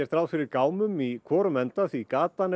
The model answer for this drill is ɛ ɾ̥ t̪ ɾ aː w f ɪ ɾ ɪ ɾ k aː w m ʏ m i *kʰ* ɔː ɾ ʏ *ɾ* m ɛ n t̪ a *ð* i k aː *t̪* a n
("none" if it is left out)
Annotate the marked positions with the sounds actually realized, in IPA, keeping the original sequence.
kʰ, none, θ, t̪

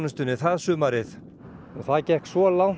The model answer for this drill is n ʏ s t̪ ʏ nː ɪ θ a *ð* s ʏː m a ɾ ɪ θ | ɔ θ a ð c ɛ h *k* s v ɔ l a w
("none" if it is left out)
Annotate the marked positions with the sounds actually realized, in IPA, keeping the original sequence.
ð, k

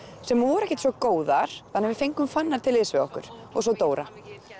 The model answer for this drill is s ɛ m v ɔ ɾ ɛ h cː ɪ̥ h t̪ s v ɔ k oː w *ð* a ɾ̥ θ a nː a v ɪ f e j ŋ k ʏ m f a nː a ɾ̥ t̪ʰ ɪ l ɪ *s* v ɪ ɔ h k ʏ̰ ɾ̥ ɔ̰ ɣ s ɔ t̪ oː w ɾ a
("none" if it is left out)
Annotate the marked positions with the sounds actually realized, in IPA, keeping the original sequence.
ð, s

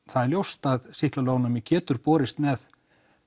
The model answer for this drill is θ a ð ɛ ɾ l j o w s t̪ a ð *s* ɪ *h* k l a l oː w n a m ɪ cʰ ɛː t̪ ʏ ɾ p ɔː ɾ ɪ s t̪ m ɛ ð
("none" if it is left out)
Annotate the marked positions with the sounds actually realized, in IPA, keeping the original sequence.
s, h

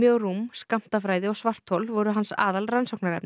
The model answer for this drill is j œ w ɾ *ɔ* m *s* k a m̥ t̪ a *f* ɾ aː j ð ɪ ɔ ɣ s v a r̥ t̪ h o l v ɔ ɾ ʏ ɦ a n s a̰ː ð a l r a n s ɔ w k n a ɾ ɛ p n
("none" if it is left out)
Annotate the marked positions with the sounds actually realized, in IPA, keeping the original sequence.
u, s, f

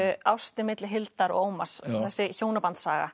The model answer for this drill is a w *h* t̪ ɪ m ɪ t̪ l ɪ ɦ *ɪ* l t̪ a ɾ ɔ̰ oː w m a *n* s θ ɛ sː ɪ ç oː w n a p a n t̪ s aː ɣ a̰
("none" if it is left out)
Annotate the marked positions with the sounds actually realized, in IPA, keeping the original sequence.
s, ɪ, none

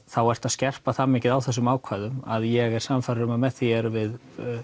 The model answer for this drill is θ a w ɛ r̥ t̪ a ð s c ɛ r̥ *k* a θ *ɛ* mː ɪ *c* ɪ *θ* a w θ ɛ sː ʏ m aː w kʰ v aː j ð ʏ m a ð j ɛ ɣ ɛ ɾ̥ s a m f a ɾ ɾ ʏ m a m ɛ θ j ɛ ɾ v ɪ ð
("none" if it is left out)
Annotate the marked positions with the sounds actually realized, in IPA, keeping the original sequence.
p, a, c, ð

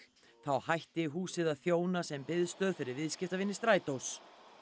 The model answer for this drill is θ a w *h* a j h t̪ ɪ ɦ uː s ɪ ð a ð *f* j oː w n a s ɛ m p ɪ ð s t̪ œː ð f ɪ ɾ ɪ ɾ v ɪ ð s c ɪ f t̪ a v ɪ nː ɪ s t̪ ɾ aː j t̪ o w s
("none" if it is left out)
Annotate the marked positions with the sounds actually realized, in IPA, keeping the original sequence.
h, θ

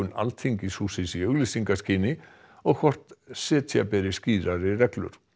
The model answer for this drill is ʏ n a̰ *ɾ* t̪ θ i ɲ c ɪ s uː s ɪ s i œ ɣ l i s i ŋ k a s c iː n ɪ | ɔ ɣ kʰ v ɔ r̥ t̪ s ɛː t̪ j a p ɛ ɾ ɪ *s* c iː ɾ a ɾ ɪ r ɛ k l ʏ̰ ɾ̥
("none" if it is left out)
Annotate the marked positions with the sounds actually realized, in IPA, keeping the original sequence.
l, s

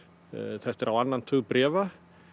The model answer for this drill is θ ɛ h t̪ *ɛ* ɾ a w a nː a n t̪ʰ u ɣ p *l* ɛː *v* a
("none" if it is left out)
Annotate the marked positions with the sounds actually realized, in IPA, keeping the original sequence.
ɛ, ɾ, v

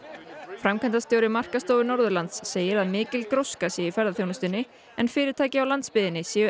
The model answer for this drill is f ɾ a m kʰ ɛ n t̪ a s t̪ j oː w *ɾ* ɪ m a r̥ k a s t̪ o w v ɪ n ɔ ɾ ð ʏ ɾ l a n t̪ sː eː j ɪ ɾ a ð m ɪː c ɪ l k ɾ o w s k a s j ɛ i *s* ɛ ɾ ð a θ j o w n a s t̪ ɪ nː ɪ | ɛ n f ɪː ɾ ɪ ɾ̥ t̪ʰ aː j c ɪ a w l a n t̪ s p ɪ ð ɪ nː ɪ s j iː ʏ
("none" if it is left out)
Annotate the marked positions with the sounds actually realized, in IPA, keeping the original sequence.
ɾ, f

